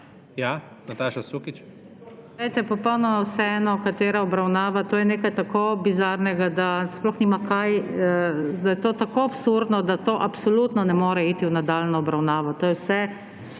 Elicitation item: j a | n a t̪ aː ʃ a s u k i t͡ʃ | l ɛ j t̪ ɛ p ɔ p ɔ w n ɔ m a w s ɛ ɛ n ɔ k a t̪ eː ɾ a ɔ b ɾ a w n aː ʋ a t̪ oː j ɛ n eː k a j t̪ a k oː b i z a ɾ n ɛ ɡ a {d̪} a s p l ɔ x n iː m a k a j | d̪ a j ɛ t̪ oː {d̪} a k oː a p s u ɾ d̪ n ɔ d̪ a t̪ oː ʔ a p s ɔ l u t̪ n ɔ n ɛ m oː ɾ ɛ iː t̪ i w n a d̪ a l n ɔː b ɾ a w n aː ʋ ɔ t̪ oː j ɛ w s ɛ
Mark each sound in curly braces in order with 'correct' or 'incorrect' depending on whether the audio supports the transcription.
correct, incorrect: t̪

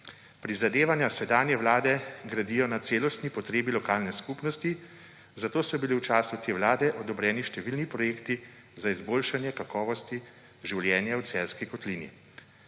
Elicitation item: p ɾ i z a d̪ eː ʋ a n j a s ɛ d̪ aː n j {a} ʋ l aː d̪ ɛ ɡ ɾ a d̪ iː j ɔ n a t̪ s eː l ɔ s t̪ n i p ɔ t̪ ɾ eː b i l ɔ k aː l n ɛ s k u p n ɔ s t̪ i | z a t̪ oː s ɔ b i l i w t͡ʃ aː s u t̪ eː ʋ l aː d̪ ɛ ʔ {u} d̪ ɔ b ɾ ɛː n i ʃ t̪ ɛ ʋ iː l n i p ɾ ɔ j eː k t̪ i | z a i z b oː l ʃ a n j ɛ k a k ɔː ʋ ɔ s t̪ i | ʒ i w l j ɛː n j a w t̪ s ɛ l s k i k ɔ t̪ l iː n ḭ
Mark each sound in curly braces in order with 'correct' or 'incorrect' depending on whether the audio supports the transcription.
incorrect: ɛ, incorrect: ɔ

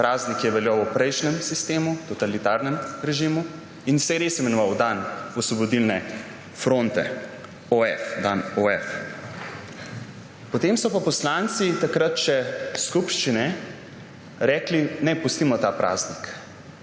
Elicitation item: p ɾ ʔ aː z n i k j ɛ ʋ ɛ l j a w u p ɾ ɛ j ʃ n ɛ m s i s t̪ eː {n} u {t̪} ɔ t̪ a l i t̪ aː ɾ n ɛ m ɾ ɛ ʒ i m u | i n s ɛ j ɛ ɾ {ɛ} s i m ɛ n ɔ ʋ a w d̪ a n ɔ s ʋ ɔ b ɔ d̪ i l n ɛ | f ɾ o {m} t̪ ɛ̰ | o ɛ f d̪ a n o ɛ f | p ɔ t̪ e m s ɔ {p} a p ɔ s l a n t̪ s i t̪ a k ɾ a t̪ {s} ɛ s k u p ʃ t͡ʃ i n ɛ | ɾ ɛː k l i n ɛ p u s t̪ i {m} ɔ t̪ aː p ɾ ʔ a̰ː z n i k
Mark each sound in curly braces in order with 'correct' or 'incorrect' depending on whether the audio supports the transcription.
incorrect: m, correct, incorrect: e, incorrect: n, correct, incorrect: ʃ, correct

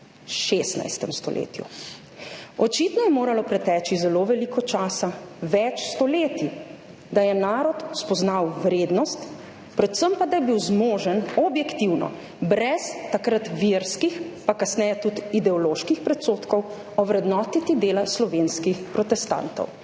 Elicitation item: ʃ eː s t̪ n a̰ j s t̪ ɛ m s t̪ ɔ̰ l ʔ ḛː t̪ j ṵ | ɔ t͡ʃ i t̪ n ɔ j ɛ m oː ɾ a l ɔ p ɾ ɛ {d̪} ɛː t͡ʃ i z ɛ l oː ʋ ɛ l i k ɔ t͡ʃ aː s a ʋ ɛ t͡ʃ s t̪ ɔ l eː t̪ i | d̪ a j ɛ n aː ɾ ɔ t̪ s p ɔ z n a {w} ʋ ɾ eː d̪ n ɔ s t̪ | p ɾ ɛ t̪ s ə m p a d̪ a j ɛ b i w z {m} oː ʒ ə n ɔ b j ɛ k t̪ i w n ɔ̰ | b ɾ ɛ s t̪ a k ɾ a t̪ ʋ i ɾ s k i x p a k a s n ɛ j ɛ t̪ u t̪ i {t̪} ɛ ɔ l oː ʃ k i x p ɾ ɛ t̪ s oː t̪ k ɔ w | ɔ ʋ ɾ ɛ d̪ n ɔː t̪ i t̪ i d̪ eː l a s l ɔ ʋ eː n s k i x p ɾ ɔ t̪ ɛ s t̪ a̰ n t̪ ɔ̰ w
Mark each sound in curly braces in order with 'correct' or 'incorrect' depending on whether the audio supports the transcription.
incorrect: t̪, correct, correct, incorrect: d̪

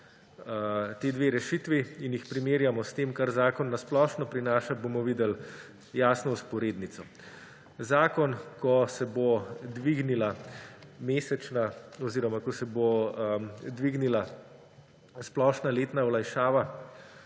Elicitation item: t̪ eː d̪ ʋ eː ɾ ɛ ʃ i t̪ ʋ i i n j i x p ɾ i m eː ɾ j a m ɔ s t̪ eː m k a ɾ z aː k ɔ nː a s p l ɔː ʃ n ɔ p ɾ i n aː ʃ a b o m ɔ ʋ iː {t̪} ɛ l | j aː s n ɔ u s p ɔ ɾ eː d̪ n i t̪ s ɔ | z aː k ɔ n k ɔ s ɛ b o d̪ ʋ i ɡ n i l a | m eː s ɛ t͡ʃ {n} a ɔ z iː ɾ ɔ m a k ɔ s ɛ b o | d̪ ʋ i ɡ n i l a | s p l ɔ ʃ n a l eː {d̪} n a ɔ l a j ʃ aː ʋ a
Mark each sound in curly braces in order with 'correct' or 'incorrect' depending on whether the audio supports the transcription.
incorrect: d̪, correct, incorrect: t̪

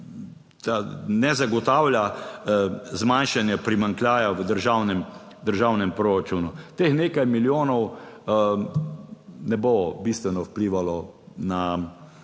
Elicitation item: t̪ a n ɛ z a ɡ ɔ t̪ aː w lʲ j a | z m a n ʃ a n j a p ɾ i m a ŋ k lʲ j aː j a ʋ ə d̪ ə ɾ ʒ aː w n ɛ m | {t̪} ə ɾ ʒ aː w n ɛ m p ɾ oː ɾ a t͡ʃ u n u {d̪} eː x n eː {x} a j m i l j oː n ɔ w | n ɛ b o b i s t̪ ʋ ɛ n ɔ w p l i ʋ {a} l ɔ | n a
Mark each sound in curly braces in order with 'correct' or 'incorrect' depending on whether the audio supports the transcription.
incorrect: d̪, incorrect: t̪, incorrect: k, correct

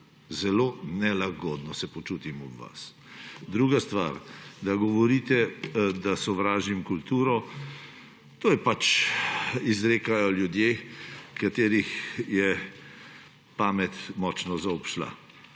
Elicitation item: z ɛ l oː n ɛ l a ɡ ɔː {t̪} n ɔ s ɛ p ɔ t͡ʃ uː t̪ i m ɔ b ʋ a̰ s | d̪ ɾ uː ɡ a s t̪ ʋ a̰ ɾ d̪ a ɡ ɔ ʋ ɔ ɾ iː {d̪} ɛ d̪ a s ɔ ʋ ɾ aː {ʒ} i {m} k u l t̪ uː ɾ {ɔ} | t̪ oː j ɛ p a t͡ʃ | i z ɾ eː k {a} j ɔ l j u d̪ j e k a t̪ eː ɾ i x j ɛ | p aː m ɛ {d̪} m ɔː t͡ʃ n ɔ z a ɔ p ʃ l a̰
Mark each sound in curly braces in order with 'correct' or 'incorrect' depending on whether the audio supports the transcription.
incorrect: d̪, incorrect: t̪, correct, correct, correct, correct, incorrect: t̪

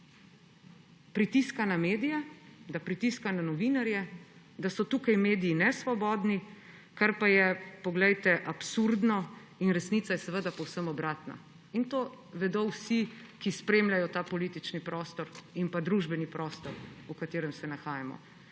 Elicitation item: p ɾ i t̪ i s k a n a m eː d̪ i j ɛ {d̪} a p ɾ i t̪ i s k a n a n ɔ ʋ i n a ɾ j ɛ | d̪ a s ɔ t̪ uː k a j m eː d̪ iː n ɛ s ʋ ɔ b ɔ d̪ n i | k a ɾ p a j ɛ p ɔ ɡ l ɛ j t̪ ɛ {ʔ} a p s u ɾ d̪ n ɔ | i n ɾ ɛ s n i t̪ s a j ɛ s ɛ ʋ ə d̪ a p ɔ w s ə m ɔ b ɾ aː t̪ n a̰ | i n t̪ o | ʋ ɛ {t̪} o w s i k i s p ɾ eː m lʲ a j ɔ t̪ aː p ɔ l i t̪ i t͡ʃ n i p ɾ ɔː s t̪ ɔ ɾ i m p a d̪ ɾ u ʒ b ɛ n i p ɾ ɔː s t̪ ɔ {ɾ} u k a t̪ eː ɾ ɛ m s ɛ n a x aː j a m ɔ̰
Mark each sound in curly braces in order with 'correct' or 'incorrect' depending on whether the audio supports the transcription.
correct, correct, incorrect: d̪, correct

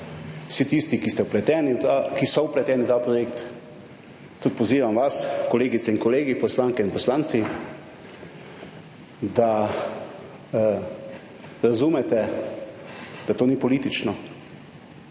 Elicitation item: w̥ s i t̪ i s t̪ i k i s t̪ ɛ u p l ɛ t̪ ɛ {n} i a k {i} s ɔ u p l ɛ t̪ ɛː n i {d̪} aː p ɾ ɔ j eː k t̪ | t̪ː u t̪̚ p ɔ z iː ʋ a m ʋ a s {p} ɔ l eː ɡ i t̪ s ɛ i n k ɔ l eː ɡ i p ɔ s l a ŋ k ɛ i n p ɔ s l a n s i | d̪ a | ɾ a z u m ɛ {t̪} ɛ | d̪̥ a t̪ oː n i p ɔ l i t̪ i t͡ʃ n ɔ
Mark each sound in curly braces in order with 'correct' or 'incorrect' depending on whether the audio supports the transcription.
correct, correct, incorrect: t̪, incorrect: k, correct

